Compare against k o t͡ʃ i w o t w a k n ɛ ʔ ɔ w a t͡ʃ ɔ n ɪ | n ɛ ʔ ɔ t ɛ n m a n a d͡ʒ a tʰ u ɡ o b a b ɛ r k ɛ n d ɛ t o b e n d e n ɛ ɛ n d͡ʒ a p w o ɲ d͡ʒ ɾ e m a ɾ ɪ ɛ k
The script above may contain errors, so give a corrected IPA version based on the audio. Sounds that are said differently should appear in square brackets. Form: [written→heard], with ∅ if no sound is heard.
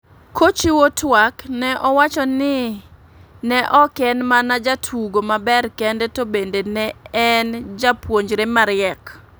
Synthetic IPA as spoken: k o t͡ʃ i w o t w a k n ɛ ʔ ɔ w a t͡ʃ ɔ n ɪ | n ɛ ʔ ɔ [t→k] ɛ n m a n a d͡ʒ a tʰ u ɡ o [b→m] a b ɛ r k ɛ n d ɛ t o b e n d e n ɛ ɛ n d͡ʒ a p w o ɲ d͡ʒ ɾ e m a ɾ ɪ ɛ k